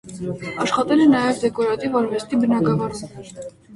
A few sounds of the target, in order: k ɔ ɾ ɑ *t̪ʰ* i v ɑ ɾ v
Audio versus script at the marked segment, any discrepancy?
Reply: yes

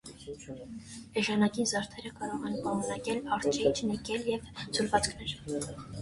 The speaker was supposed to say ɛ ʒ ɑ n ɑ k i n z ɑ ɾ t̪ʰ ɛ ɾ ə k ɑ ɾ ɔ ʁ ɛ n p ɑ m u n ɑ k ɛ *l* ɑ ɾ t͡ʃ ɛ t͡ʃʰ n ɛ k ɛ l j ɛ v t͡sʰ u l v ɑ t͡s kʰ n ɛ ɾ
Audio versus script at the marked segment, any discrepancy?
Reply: no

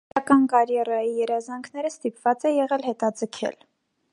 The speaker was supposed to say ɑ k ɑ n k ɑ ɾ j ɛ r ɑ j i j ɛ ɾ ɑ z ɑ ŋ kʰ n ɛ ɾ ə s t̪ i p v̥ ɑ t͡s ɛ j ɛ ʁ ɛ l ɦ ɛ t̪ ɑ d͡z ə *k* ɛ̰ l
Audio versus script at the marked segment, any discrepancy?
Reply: yes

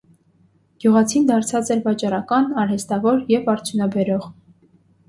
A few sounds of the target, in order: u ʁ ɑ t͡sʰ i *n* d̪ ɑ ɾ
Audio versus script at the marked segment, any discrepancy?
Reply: no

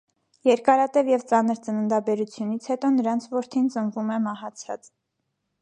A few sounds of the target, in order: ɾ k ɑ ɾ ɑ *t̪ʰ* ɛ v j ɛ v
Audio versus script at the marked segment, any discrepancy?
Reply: yes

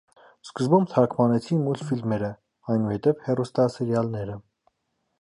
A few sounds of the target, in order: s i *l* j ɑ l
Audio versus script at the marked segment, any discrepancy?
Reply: yes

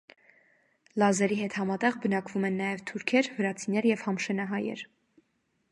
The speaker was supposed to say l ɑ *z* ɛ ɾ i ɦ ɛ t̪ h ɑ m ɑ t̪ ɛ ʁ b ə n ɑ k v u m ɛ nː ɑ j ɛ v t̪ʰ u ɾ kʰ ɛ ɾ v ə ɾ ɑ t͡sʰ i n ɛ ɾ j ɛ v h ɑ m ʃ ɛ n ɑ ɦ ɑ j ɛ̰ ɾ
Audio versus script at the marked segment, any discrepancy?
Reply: no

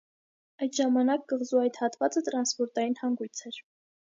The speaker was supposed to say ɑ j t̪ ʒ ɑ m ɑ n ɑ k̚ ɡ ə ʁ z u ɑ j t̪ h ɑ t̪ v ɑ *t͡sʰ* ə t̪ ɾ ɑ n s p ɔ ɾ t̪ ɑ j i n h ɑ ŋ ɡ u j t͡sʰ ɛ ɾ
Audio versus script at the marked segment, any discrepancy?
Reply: yes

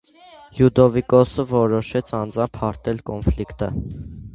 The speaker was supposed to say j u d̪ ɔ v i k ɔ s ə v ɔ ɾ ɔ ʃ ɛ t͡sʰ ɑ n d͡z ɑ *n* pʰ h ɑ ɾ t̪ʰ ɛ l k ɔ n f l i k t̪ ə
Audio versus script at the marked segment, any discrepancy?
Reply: yes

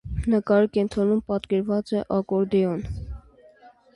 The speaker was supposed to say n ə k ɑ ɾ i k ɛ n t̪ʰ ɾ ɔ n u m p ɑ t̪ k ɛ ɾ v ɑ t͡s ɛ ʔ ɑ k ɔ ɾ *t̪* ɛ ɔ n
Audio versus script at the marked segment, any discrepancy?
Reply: yes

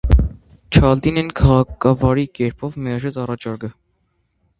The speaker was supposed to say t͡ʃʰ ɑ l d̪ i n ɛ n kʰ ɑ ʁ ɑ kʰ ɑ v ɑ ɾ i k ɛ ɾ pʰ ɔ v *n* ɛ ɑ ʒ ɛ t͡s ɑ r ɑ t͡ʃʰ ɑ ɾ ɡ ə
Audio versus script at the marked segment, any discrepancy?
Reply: yes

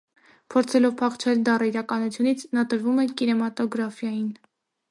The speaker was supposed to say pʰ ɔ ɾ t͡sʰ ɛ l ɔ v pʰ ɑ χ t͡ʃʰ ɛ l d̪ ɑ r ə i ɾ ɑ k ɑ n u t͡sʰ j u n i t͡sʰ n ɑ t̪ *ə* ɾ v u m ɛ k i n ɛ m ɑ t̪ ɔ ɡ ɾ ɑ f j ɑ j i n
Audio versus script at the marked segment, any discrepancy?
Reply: no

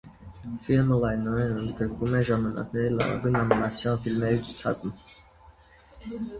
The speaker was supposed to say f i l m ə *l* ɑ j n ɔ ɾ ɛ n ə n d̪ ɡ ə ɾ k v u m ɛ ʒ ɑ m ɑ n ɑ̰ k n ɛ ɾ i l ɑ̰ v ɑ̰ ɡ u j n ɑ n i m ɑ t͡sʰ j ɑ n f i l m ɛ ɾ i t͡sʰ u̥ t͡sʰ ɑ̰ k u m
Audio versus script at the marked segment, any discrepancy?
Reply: no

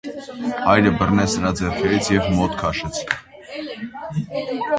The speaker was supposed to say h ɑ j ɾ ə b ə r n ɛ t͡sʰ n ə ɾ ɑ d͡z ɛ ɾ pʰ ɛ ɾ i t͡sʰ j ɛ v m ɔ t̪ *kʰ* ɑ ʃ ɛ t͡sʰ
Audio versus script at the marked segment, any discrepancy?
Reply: no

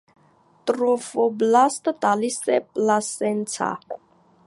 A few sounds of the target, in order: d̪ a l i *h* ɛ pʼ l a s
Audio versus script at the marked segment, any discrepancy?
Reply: yes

